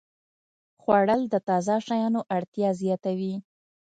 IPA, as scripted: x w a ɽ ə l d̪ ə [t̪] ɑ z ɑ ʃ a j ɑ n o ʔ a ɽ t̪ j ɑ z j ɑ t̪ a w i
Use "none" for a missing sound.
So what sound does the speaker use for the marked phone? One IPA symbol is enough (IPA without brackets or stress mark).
t̪